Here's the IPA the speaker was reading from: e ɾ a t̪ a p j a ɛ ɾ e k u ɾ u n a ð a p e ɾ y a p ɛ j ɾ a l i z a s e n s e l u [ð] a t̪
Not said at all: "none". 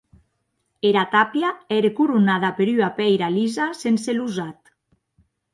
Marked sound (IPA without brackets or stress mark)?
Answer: z